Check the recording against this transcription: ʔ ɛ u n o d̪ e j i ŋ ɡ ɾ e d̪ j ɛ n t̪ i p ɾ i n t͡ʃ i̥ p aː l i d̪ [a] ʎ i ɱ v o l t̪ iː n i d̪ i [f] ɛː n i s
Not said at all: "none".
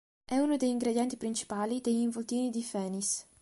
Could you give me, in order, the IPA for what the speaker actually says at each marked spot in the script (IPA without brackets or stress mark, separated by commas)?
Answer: e, f